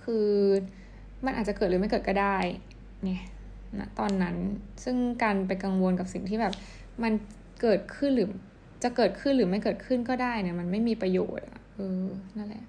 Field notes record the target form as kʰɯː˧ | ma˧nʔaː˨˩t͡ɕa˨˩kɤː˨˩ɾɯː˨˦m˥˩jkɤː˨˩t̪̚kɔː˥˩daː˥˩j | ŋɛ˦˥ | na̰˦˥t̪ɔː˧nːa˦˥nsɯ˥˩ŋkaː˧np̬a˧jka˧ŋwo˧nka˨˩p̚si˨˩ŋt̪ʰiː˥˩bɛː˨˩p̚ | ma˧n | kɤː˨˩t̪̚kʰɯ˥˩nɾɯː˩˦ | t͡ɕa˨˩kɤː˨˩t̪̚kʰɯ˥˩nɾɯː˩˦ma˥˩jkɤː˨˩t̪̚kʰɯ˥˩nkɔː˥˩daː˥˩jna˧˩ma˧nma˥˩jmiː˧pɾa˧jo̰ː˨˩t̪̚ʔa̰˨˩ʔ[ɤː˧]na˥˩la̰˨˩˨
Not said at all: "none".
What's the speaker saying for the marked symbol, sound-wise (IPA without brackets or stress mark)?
ɤː˧